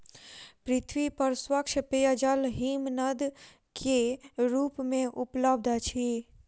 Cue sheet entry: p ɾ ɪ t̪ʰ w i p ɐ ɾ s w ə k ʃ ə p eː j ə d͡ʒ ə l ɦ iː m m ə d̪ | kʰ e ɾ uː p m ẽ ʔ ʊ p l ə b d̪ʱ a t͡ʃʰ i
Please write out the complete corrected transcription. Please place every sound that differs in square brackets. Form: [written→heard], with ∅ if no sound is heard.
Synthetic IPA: p ɾ ɪ t̪ʰ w i p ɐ ɾ s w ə k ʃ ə p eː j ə d͡ʒ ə l ɦ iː m [m→n] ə d̪ | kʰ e ɾ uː p m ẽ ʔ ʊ p l ə b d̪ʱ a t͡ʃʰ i